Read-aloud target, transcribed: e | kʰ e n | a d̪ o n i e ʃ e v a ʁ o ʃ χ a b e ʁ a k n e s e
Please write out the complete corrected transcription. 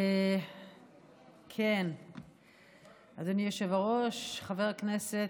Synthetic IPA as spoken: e | kʰ e n | a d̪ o n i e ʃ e v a ʁ o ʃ χ a v e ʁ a k n e s e